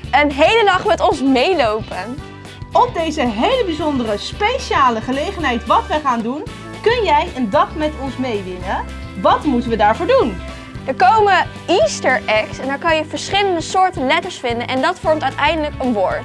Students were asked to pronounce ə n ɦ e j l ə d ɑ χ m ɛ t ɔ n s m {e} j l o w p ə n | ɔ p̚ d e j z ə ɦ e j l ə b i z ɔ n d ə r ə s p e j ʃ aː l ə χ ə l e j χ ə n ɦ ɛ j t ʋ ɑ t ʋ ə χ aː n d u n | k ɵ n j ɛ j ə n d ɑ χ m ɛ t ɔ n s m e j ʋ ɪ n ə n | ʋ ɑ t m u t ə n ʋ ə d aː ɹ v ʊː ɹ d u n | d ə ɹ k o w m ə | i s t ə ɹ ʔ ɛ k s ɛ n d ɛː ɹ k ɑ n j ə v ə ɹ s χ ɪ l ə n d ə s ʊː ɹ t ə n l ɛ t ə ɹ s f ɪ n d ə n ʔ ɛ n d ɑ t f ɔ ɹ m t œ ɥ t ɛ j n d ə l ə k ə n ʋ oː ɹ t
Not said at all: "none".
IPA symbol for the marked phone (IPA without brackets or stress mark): e